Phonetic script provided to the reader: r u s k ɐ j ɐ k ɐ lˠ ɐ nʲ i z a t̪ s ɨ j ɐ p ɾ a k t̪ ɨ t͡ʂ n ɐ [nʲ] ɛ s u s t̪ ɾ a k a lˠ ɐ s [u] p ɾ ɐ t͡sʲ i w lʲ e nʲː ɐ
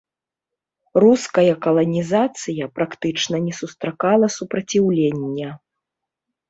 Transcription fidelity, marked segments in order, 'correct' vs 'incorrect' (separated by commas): correct, correct